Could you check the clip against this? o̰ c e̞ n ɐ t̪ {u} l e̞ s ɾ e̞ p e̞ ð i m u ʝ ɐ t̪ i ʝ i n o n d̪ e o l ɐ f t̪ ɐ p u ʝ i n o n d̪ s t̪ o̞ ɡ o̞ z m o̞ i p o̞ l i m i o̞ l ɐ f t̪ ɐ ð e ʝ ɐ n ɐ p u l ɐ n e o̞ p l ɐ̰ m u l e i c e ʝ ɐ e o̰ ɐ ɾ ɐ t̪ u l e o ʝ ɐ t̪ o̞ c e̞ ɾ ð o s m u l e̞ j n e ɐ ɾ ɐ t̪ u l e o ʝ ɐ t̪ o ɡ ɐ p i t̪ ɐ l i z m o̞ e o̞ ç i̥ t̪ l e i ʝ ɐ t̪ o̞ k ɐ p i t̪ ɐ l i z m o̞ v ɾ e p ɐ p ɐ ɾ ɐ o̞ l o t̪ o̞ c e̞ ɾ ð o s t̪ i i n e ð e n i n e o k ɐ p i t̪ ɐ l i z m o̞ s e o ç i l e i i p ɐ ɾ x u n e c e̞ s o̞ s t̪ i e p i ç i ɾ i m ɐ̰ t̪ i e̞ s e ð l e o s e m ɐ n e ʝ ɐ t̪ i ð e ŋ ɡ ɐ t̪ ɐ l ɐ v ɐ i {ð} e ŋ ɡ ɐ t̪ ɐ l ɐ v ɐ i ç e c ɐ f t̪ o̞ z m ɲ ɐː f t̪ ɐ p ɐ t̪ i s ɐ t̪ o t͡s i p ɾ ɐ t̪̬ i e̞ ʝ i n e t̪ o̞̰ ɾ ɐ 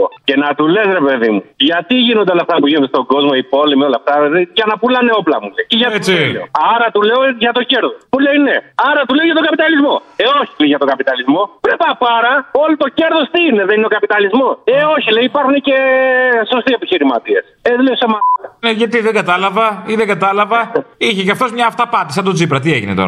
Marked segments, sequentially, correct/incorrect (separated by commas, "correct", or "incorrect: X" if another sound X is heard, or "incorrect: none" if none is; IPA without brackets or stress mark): correct, correct